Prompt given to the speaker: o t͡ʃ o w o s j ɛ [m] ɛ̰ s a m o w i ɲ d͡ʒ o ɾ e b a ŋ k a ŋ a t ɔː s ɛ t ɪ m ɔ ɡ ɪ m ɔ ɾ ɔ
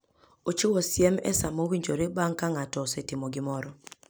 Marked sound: correct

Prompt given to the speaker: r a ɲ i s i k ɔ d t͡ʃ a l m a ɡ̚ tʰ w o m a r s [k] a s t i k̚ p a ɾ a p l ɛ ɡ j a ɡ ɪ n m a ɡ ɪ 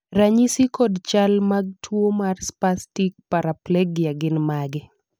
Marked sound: incorrect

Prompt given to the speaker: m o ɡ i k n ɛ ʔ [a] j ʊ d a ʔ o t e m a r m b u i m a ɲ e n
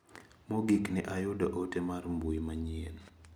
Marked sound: correct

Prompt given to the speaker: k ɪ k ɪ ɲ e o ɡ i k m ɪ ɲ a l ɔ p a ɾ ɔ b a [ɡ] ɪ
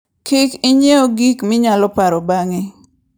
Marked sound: incorrect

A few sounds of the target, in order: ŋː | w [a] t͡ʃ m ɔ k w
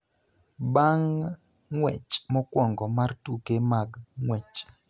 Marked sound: incorrect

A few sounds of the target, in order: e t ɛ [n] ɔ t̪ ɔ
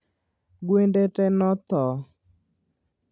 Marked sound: correct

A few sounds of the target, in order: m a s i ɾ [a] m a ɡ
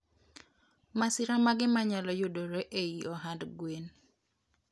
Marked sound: correct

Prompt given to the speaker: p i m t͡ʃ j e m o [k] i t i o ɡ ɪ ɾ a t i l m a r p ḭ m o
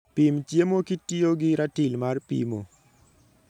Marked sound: correct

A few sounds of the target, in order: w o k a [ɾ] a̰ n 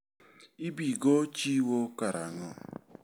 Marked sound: correct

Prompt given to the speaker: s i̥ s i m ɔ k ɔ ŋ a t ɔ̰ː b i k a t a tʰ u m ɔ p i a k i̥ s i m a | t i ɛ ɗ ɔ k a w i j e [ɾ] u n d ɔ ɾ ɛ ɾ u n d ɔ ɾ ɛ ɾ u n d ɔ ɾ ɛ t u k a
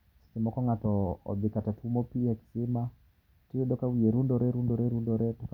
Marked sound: correct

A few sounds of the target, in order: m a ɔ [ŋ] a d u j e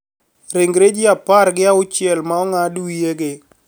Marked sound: correct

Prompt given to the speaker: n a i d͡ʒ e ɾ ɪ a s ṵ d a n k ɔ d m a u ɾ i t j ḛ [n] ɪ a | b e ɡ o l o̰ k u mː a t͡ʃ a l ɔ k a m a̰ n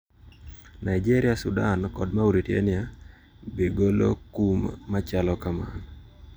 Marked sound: correct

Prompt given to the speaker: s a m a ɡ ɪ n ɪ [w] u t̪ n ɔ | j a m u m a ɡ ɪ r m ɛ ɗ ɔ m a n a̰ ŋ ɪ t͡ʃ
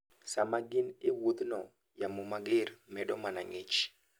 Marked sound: correct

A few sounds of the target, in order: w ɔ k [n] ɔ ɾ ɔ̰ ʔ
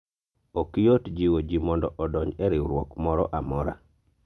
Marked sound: incorrect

